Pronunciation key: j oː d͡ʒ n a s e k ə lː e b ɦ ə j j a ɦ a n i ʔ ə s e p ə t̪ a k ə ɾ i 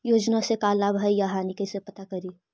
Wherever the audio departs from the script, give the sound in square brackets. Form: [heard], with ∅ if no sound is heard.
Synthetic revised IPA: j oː d͡ʒ n a s e k [a] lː [a] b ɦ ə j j a ɦ a n i [k] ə s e p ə t̪ a k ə ɾ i

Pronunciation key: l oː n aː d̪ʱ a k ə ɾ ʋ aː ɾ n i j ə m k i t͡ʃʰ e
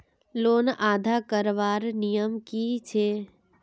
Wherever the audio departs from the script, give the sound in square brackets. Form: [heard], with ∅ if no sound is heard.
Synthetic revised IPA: l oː n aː d̪ʱ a k ə ɾ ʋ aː ɾ n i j ə m k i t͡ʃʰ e

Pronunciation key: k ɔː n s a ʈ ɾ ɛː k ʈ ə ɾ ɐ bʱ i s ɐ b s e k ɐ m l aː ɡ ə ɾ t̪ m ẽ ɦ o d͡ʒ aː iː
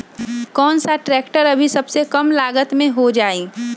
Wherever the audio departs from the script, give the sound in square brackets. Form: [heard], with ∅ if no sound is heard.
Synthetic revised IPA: k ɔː n s a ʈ ɾ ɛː k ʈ ə ɾ ɐ bʱ i s ɐ b s e k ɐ m l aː ɡ ə [∅] t̪ m ẽ ɦ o d͡ʒ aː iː

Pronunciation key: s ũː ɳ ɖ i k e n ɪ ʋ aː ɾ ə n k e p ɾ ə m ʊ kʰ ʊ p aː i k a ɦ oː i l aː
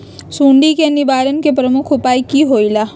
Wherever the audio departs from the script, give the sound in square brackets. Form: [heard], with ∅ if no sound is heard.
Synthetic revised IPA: s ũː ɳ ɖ i k e n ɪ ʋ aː ɾ ə n k e p ɾ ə m ʊ kʰ ʊ p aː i k [i] ɦ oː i l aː

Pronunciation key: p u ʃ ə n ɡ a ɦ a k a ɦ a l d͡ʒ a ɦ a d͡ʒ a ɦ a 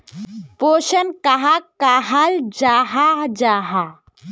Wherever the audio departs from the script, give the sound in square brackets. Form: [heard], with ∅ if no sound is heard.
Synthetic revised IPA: p [o] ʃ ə n [k] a ɦ a k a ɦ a l d͡ʒ a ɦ a d͡ʒ a ɦ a

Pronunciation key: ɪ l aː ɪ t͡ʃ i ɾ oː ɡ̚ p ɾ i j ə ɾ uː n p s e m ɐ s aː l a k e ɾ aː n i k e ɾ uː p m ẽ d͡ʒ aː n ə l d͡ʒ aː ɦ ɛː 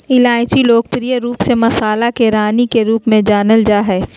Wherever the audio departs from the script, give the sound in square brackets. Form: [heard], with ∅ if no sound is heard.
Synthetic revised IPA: ɪ l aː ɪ t͡ʃ i [l] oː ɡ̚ p ɾ i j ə ɾ uː [∅] p s e m ɐ s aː l a k e ɾ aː n i k e ɾ uː p m ẽ d͡ʒ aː n ə l d͡ʒ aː ɦ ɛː

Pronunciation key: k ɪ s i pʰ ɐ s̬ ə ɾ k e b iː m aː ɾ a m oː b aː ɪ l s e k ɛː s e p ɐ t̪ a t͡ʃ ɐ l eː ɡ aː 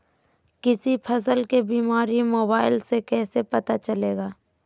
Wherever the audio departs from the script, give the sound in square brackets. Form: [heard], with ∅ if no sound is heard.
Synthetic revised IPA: k ɪ s i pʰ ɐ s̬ ə [l] k e b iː m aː ɾ [i] m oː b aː ɪ l s e k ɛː s e p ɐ t̪ a t͡ʃ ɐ l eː ɡ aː

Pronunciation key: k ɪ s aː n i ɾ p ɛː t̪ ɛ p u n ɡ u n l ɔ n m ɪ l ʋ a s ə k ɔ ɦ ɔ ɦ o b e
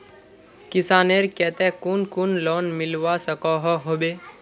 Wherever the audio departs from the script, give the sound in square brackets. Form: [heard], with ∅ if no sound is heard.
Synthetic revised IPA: k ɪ s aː n [e] ɾ [k] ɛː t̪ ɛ [k] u n [k] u n l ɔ n m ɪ l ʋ a s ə k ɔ ɦ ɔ ɦ o b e

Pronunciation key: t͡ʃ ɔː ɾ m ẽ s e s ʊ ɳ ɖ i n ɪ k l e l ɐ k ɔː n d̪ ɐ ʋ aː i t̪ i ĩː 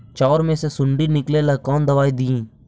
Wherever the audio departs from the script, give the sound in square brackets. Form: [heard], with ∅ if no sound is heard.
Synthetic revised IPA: t͡ʃ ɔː ɾ m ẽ s e s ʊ ɳ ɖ i n ɪ k l e l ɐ k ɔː n d̪ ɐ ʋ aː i [d̪] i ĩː

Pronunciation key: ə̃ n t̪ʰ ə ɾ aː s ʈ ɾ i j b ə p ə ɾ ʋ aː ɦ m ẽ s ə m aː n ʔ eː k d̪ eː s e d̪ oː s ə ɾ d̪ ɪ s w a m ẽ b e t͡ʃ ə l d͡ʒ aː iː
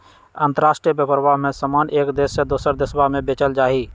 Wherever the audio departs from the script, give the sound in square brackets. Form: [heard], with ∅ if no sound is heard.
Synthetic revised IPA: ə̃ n [t̪] ə ɾ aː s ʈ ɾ i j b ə p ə ɾ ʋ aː ɦ m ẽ s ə m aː n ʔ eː k d̪ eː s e d̪ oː s ə ɾ d̪ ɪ s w a m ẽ b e t͡ʃ ə l d͡ʒ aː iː

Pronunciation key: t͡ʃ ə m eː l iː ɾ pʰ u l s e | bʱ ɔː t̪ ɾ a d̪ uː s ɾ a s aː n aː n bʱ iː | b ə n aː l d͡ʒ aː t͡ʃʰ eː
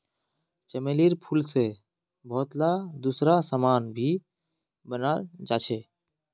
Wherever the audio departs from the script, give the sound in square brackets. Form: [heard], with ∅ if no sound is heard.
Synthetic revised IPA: t͡ʃ ə m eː l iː ɾ pʰ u l s e | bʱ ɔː t̪ [l] a d̪ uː s ɾ a s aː [m] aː n bʱ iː | b ə n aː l d͡ʒ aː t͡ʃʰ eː

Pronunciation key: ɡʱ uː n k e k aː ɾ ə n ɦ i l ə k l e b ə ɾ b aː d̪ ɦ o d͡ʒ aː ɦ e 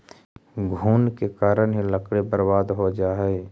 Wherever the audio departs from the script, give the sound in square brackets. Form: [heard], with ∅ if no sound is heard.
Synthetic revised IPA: ɡʱ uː n k e k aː ɾ ə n ɦ i l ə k [ɽ] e b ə ɾ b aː d̪ ɦ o d͡ʒ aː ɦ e

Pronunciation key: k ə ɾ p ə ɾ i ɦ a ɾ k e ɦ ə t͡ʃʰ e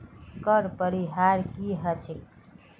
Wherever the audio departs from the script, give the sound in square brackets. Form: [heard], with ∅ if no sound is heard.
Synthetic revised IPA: k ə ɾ p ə ɾ i ɦ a ɾ k [i] ɦ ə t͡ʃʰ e

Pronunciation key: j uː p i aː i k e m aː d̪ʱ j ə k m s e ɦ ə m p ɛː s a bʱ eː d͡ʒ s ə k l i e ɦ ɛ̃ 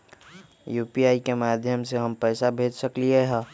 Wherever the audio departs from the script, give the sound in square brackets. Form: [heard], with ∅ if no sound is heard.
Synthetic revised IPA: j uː p i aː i k e m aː d̪ʱ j ə [∅] m s e ɦ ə m p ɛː s a bʱ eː d͡ʒ s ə k l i e ɦ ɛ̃

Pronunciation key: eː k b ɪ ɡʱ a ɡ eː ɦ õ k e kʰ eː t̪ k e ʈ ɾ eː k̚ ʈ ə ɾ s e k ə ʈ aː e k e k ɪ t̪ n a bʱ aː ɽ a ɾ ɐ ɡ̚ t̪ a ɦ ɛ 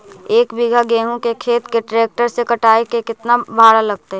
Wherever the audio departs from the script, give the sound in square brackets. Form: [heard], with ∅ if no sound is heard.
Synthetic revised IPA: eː k b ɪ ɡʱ a ɡ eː ɦ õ k e kʰ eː t̪ k e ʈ ɾ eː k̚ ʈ ə ɾ s e k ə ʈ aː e k e k ɪ t̪ n a bʱ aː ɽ a [l] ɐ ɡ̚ t̪ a ɦ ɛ

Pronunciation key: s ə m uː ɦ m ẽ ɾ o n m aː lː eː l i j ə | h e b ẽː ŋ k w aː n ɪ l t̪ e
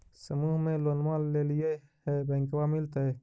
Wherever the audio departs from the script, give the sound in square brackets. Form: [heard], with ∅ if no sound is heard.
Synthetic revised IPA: s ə m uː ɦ m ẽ [l] o n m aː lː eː l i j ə | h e b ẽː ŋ k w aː [m] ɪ l t̪ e

